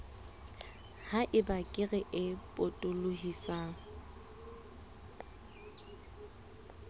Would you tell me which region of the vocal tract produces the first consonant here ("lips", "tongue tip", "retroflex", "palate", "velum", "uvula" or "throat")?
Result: throat